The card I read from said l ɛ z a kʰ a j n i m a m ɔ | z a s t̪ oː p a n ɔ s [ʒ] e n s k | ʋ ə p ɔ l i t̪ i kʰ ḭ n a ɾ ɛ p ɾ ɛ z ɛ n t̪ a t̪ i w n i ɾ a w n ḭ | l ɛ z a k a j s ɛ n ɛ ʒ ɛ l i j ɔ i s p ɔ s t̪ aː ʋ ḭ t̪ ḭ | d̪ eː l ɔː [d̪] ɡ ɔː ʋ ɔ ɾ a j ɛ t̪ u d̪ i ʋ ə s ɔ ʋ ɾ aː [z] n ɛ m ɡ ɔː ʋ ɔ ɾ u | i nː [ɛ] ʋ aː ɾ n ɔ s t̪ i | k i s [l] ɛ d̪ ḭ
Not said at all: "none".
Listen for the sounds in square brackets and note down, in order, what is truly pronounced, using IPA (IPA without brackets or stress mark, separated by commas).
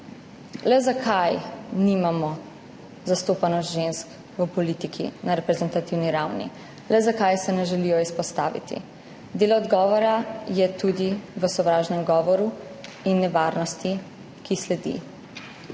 ʒ, d̪, ʒ, ɛ, l